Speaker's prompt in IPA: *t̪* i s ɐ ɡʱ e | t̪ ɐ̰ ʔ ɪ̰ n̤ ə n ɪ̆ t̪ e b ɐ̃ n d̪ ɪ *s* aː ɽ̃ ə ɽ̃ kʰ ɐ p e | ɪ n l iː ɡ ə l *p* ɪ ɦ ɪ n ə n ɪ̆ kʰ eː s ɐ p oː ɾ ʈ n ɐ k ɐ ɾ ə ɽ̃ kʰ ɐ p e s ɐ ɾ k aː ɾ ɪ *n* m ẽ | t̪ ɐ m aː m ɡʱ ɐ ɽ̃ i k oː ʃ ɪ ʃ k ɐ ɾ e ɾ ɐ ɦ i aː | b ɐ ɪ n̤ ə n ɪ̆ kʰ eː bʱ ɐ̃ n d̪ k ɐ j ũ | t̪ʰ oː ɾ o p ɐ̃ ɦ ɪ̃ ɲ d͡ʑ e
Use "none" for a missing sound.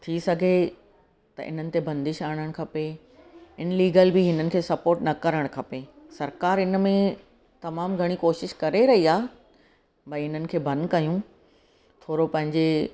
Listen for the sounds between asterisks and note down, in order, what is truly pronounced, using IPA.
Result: t̪ʰ, ʃ, b, n

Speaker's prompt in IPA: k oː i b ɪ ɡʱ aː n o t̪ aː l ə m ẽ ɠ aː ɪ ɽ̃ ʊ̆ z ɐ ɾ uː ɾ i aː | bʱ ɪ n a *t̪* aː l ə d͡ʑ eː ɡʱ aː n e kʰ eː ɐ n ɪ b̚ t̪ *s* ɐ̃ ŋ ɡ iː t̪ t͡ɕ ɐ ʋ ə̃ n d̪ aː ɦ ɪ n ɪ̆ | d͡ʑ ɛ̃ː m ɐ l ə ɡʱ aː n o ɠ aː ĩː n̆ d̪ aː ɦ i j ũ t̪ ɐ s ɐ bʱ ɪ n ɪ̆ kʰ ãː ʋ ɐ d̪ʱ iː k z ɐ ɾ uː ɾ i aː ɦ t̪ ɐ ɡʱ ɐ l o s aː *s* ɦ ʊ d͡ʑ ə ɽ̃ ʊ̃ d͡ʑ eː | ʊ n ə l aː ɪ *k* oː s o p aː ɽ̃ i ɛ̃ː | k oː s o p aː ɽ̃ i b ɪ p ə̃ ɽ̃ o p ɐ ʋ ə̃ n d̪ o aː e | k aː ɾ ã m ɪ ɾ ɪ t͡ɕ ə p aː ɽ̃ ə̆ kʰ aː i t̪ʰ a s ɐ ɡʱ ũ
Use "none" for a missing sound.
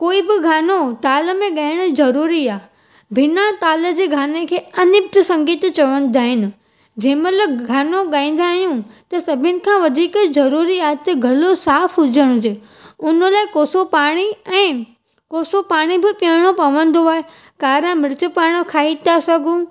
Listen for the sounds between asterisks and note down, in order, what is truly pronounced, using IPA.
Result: t̪, s, f, k

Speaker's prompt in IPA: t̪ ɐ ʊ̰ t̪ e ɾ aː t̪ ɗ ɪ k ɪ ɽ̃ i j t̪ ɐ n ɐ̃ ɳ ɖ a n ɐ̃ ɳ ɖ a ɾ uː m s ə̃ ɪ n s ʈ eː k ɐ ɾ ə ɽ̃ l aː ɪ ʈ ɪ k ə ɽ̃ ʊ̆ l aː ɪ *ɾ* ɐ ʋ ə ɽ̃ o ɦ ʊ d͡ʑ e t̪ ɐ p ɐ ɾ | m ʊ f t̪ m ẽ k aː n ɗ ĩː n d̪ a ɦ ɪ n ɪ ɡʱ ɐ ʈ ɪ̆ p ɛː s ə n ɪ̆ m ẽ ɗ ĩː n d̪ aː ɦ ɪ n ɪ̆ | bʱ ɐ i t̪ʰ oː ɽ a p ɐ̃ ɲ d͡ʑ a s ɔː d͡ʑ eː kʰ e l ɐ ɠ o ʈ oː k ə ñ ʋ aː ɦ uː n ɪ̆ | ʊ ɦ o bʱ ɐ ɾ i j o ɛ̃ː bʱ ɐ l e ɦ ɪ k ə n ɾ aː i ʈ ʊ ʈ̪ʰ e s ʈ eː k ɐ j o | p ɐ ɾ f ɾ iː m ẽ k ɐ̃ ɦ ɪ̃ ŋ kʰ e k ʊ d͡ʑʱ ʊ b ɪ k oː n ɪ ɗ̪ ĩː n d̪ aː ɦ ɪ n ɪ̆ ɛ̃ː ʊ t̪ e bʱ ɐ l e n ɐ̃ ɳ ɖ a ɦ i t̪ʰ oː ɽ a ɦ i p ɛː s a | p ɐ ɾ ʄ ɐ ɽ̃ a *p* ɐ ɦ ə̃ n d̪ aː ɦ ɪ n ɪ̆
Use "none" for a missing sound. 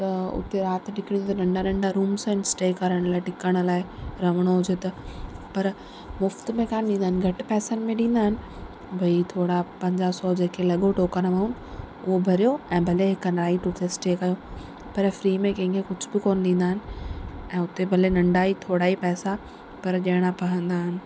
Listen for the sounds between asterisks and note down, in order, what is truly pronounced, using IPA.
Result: ɾ, p

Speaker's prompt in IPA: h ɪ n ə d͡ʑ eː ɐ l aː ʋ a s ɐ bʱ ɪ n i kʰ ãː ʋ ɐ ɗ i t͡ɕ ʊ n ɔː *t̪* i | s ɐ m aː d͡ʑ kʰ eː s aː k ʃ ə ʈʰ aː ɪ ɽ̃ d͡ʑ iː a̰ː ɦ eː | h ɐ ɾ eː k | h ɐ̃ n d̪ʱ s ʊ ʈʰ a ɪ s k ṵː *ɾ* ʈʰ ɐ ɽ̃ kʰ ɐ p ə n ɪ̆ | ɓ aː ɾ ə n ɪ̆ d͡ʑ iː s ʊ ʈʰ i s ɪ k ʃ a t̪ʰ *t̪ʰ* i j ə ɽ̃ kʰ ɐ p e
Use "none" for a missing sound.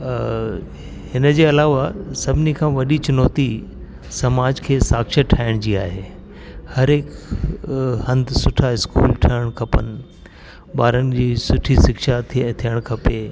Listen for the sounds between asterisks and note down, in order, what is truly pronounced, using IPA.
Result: t̪, l, t̪ʰ

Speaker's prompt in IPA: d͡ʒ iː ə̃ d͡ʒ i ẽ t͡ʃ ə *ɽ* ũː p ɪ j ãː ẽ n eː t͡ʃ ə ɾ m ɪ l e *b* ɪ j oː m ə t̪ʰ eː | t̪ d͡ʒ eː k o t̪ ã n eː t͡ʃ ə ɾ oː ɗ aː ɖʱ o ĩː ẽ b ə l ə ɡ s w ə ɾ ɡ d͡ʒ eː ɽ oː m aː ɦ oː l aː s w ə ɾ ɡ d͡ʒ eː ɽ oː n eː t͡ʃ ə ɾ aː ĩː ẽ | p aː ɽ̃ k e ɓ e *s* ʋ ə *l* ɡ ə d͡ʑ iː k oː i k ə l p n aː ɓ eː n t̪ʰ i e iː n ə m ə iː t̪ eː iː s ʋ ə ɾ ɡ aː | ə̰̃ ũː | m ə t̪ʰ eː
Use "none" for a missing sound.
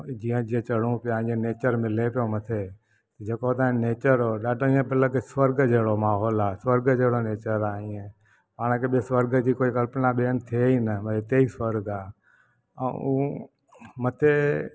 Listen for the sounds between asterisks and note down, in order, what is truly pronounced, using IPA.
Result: ɽ, p, s, ɾ

